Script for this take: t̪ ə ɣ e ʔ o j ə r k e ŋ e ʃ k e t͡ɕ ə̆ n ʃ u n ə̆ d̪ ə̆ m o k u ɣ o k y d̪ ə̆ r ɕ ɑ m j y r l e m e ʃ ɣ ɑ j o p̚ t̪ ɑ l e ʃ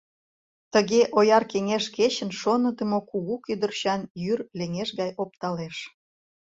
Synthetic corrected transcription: t̪ ə ɣ e ʔ o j ɑ r k e ŋ e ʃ k e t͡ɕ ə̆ n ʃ o n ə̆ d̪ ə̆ m o k u ɣ u k y d̪ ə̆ r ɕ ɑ n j y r l e ŋ e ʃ ɣ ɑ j o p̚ t̪ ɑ l e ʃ